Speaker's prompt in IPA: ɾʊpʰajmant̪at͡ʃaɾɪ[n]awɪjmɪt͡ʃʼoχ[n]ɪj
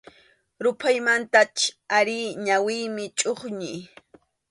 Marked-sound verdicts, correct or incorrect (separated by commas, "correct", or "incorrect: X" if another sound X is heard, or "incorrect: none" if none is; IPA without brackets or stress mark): incorrect: ɲ, incorrect: ɲ